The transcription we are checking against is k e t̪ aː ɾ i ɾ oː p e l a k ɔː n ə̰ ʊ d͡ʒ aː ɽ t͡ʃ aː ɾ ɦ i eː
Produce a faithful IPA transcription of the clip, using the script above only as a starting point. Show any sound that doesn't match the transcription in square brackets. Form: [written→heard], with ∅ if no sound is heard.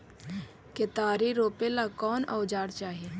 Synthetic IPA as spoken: k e t̪ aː ɾ i ɾ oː p e l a k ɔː n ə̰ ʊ d͡ʒ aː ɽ t͡ʃ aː [ɾ→∅] ɦ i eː